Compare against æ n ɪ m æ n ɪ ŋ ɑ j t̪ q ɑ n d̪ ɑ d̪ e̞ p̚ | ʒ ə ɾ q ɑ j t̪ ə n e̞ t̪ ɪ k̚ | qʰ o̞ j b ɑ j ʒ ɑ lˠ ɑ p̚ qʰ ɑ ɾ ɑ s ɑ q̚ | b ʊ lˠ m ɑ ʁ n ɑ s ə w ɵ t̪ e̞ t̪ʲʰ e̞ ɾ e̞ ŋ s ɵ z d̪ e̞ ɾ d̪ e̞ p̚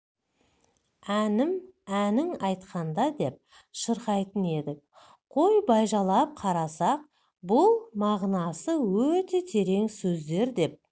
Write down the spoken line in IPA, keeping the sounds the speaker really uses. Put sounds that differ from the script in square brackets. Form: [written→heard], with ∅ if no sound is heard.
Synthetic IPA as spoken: æ n ɪ m æ n ɪ ŋ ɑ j t̪ q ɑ n d̪ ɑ d̪ e̞ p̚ | [ʒ→ʃ] ə ɾ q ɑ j t̪ ə n e̞ [t̪→d̪] ɪ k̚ | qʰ o̞ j b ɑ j ʒ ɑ lˠ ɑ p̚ qʰ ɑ ɾ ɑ s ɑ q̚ | b ʊ lˠ m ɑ ʁ n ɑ s ə w ɵ t̪ e̞ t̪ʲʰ e̞ ɾ e̞ ŋ s ɵ z d̪ e̞ ɾ d̪ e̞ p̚

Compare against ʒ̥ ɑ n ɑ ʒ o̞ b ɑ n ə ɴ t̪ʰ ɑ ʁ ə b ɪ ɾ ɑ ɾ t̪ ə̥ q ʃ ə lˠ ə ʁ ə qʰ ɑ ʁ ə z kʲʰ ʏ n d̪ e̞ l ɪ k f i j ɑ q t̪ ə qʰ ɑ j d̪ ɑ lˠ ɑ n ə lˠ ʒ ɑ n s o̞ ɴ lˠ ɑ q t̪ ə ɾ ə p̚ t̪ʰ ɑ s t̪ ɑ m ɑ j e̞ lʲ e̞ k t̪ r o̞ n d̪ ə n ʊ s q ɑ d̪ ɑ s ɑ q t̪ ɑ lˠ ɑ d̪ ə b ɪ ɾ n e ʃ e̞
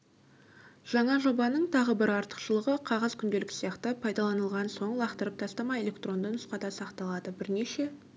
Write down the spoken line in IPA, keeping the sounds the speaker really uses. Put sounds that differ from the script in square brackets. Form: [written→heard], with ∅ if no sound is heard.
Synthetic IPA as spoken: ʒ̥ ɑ [n→ɴ] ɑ ʒ o̞ b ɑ n ə ɴ t̪ʰ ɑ ʁ ə b ɪ ɾ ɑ ɾ t̪ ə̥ q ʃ ə lˠ ə ʁ ə qʰ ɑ ʁ ə z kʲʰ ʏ n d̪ e̞ l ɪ k [f→s] i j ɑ q t̪ ə [qʰ→pʰ] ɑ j d̪ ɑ lˠ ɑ n ə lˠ [ʒ→ʁ] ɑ n s o̞ ɴ lˠ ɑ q t̪ ə ɾ ə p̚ t̪ʰ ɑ s t̪ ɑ m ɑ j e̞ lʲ e̞ k t̪ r o̞ n d̪ ə n ʊ s q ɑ d̪ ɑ s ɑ q t̪ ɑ lˠ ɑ d̪ ə b ɪ ɾ n e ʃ e̞

